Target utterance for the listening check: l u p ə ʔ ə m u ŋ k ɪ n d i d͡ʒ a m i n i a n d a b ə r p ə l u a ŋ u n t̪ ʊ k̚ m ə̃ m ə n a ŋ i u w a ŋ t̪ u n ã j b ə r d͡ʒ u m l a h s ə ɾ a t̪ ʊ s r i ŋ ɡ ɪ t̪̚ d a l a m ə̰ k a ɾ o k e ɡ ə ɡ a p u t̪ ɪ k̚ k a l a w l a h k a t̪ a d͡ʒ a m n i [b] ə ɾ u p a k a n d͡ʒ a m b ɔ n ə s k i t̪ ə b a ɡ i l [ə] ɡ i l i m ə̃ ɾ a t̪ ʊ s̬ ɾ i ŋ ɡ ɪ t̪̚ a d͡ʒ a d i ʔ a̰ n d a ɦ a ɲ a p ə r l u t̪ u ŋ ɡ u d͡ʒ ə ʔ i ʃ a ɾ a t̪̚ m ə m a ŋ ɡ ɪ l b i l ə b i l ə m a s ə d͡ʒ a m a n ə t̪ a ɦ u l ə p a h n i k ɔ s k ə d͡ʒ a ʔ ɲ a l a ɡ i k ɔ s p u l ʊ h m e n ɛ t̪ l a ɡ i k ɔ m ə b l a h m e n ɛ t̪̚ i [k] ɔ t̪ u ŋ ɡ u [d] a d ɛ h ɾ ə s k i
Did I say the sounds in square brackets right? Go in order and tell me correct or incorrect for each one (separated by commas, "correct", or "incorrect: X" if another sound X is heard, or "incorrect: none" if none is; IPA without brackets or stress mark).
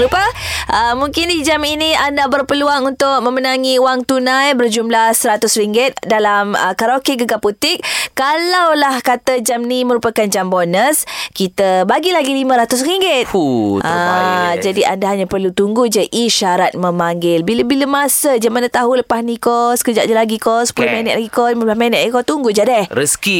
incorrect: m, incorrect: a, correct, incorrect: d͡ʒ